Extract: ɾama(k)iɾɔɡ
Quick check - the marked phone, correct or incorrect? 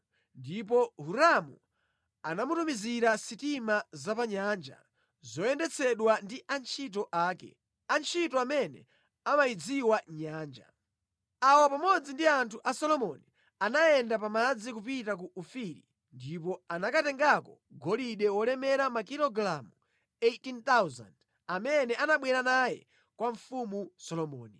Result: correct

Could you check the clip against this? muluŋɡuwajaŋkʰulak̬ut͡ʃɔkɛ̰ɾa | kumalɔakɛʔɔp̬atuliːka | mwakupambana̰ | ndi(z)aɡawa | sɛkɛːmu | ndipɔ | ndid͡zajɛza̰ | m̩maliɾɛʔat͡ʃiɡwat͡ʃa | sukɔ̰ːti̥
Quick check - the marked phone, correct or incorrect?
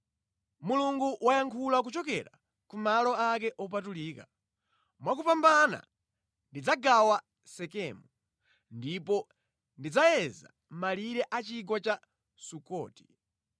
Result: incorrect: d͡z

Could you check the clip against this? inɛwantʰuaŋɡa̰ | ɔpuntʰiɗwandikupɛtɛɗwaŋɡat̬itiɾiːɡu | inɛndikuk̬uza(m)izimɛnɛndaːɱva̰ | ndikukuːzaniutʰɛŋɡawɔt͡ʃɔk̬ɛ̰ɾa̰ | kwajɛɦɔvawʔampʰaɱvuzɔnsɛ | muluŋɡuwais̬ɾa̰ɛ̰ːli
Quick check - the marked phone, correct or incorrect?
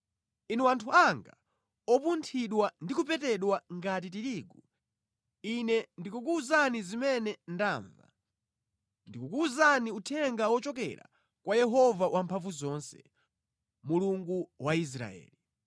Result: incorrect: n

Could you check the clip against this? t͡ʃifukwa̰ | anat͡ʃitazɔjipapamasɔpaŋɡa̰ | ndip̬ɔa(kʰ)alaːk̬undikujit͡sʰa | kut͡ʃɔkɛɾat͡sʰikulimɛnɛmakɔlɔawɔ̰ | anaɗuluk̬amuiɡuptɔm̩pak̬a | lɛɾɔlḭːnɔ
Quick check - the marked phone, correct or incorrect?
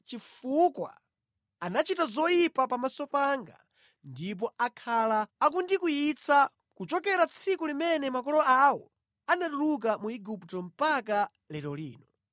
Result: correct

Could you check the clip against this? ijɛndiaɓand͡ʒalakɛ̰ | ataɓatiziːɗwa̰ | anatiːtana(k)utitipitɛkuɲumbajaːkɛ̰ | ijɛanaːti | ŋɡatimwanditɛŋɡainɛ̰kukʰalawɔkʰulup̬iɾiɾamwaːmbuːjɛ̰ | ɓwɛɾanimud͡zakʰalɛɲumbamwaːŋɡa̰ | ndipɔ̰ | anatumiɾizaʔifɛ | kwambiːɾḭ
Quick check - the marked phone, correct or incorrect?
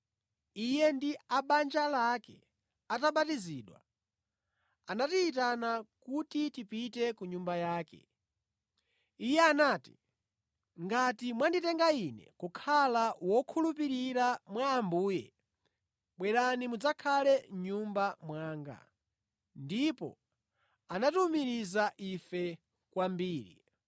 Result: correct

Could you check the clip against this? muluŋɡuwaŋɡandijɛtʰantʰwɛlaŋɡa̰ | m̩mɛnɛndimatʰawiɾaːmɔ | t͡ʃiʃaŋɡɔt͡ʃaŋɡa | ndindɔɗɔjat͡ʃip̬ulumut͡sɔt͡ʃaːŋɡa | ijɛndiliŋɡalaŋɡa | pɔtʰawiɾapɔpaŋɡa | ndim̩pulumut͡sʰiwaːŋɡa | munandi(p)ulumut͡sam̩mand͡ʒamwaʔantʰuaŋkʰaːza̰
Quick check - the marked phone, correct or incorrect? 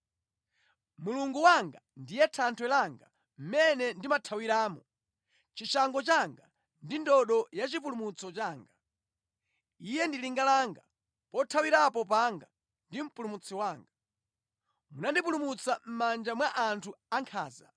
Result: correct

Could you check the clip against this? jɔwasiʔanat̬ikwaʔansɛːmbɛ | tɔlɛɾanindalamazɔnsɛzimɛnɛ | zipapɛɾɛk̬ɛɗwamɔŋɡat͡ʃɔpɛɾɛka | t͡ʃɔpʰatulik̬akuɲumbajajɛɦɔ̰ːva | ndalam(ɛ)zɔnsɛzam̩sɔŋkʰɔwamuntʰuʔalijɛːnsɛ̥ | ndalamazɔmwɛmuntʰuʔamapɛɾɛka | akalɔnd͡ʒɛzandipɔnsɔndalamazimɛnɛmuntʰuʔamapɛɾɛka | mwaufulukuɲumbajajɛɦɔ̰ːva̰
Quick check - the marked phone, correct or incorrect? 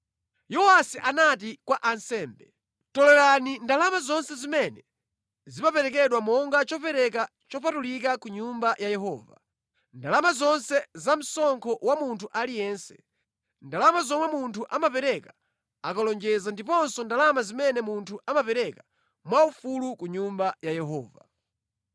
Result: incorrect: a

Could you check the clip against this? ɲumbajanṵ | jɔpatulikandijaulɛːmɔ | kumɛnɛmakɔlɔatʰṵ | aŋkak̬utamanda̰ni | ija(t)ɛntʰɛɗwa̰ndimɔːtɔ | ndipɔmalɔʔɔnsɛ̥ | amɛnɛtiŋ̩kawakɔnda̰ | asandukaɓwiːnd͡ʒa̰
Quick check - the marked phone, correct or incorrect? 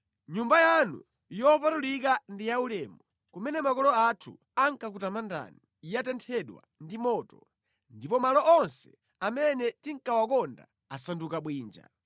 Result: correct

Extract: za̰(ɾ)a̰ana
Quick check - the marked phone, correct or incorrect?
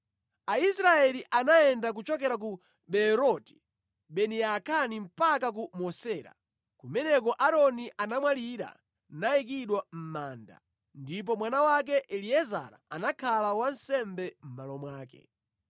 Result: correct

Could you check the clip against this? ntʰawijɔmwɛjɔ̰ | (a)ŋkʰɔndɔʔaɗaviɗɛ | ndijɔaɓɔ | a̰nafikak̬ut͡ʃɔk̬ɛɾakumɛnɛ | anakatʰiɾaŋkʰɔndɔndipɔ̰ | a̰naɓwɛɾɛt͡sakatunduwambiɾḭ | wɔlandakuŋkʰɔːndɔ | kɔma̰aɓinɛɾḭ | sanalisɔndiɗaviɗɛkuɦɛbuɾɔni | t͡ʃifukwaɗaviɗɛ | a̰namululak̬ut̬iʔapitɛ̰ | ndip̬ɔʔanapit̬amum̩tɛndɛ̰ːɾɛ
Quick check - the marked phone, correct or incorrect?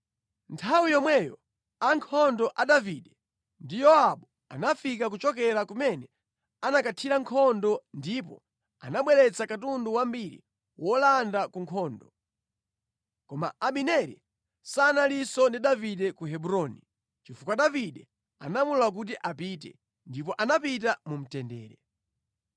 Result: correct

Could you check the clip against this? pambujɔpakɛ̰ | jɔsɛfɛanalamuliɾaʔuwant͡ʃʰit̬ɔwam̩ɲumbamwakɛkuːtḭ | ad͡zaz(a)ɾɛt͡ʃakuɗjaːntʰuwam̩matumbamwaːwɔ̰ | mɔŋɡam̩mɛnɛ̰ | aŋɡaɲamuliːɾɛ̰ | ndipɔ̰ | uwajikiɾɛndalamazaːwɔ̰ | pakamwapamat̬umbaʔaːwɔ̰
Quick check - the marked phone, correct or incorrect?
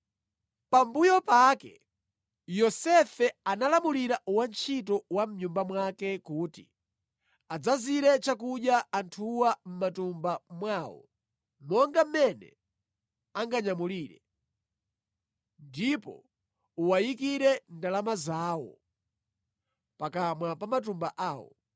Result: incorrect: i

